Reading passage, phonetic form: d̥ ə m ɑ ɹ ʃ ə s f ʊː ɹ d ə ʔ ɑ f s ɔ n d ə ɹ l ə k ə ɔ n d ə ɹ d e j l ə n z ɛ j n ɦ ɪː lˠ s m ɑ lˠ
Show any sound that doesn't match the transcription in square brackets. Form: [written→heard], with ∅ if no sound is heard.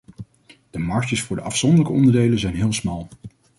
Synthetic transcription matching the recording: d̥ ə m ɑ ɹ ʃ ə s f ʊː ɹ d ə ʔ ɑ f s ɔ n d ə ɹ l ə k ə ɔ n d ə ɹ d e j l ə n z ɛ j n ɦ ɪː lˠ s m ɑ lˠ